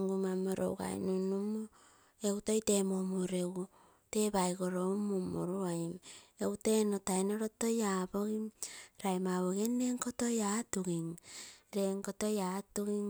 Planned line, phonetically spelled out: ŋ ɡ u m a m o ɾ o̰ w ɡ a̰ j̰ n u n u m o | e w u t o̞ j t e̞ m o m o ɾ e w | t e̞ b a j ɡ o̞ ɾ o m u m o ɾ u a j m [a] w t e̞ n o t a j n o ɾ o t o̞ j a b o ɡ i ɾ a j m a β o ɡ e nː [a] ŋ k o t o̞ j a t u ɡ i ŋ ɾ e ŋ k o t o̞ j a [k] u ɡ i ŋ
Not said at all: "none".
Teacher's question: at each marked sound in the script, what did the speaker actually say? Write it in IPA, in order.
e, e, t

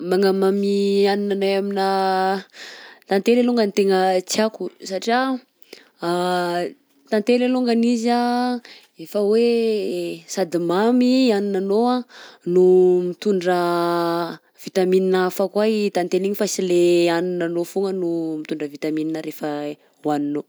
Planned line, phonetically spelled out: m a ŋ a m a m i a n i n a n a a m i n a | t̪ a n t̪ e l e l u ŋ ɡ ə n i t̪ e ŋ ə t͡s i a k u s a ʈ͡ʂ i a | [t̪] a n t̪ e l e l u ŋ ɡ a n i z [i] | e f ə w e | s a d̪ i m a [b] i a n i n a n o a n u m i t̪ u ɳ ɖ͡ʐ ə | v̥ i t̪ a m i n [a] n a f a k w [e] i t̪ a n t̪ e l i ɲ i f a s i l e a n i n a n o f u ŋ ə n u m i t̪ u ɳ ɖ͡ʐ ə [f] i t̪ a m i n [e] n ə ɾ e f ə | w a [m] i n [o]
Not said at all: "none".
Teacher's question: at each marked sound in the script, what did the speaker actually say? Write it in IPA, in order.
t̪, a, m, i, a, v, i, n, o

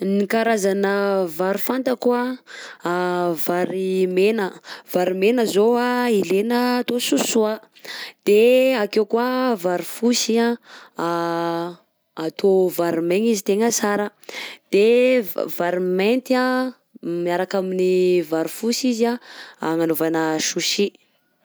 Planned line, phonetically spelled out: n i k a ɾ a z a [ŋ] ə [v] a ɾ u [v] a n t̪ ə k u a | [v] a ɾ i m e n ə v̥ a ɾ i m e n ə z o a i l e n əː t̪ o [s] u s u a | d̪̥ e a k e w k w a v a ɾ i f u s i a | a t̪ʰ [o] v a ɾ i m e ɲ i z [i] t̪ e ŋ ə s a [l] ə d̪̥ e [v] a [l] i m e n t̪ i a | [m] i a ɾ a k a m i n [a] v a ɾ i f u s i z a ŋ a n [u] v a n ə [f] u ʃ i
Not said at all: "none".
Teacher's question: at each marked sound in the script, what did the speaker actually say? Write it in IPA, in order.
n, v, f, v, s, o, i, ɾ, v, ɾ, m, i, o, ʃ

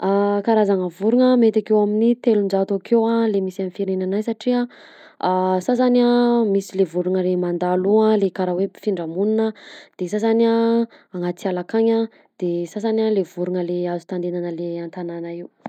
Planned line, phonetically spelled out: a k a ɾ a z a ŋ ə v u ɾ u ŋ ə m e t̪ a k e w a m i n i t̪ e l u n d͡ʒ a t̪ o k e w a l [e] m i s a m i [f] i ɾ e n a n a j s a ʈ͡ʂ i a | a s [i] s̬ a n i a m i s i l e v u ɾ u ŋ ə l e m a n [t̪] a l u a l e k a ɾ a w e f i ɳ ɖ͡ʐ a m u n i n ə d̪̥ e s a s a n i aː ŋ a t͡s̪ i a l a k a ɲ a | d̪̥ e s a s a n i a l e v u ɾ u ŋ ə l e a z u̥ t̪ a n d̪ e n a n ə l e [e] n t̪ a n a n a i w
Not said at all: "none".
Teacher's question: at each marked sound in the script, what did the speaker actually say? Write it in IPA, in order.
e, f, a, d̪, a

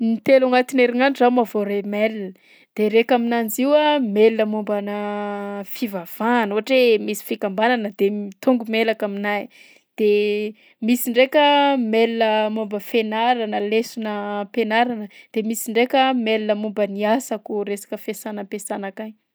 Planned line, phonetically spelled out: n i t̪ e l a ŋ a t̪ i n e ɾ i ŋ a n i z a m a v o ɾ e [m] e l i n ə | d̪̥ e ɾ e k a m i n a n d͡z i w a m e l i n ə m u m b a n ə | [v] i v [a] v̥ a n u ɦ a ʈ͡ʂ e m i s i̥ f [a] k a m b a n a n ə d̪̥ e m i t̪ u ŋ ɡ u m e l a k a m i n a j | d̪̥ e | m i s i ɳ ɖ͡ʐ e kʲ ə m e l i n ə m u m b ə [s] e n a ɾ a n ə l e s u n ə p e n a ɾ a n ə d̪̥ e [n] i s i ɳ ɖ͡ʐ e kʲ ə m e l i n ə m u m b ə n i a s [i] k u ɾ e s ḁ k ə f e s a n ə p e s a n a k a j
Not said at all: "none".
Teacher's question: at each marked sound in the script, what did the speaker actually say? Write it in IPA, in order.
m, f, a, i, f, m, a

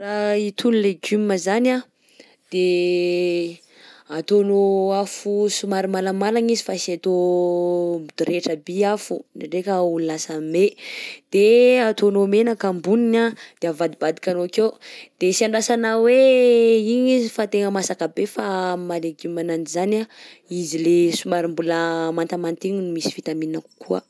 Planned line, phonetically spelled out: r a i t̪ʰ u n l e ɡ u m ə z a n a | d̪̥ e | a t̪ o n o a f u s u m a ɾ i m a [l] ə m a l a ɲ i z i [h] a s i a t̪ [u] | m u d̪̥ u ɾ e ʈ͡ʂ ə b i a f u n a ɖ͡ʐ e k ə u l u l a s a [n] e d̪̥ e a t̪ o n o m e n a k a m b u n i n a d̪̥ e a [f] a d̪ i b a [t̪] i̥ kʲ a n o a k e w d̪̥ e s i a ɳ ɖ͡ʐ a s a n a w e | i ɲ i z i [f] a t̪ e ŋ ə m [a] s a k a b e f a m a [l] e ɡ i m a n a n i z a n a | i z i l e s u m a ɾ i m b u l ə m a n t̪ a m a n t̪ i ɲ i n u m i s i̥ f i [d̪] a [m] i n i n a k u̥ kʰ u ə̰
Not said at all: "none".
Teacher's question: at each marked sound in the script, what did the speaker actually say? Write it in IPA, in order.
l, f, o, m, v, d̪, f, a, l, t̪, m

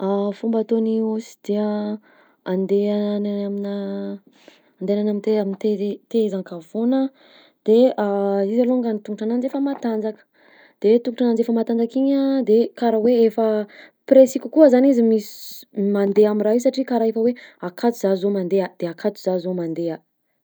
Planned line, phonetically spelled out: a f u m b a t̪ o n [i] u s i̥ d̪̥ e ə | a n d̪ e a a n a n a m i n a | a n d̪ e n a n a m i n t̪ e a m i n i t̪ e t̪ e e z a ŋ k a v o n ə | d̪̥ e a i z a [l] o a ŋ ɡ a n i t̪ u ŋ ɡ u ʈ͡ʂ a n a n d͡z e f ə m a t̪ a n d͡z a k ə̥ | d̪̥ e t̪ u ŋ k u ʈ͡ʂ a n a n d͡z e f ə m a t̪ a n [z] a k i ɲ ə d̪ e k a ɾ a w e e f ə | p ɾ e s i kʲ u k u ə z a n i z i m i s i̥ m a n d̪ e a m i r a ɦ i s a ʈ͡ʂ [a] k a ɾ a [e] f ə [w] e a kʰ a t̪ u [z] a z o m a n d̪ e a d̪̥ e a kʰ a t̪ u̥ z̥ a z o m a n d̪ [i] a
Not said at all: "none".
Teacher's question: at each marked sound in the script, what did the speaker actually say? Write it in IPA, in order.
i, l, d͡z, i, e, w, z, e

